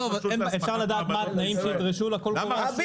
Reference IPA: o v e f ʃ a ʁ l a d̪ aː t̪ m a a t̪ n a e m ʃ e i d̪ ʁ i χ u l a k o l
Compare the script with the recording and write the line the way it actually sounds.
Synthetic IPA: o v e f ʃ a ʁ l a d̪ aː t̪ m a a t̪ n a i m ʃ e i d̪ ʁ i ʃ u l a k o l